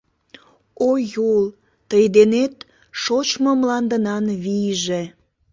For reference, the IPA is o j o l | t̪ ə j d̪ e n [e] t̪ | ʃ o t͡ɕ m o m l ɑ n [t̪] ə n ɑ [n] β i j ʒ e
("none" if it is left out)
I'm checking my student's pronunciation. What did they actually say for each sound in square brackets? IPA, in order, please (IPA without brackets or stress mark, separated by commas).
e, d̪, n